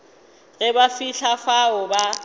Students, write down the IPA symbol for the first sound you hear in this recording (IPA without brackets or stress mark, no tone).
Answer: ɣ